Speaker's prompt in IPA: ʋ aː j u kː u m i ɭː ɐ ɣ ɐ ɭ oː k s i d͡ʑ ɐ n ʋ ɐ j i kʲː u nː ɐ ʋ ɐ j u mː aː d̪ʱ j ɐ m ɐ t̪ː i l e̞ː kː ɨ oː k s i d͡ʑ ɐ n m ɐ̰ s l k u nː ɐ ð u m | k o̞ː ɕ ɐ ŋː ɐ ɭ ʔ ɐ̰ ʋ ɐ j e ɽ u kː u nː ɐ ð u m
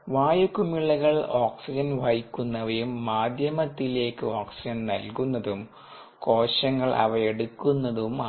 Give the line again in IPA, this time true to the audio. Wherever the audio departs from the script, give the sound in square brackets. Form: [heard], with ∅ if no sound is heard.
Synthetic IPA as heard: ʋ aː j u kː u m i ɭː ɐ ɣ ɐ ɭ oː k s i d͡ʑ ɐ n ʋ ɐ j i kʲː u nː ɐ ʋ ɐ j u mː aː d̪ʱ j ɐ m ɐ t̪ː i l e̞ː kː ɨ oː k s i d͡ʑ ɐ n [n] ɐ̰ [∅] l k u nː ɐ ð u m | k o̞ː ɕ ɐ ŋː ɐ ɭ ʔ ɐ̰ ʋ ɐ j e ɽ u kː u nː ɐ ð u m